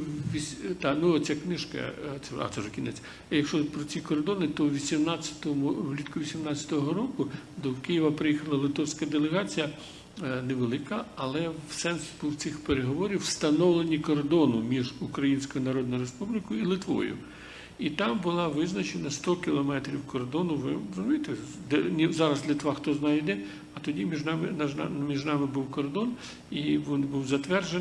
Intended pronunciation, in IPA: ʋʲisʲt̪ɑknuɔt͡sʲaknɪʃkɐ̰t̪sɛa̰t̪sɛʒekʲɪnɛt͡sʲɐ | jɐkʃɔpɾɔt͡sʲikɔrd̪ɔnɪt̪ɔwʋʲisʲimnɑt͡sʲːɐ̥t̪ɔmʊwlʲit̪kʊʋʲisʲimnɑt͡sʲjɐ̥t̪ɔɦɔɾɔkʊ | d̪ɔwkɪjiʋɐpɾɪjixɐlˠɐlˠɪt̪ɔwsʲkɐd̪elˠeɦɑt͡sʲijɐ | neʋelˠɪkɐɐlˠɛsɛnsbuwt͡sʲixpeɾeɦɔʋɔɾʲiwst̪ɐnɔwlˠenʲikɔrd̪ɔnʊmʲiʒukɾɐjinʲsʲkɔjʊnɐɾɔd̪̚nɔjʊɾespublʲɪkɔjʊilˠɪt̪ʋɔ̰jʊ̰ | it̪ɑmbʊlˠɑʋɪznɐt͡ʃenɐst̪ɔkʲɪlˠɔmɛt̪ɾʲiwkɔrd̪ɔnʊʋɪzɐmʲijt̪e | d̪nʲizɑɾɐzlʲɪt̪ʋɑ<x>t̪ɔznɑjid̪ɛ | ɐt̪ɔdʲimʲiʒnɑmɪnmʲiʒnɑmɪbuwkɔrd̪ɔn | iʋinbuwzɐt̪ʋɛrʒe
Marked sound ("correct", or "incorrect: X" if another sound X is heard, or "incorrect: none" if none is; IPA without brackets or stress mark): correct